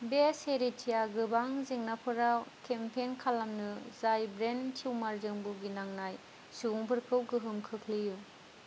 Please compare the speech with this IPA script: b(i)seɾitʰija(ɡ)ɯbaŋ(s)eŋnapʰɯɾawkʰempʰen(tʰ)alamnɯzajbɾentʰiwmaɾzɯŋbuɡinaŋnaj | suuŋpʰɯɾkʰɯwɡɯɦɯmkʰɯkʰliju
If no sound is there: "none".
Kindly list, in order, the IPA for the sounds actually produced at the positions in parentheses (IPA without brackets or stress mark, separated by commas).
e, ɡ, z, kʰ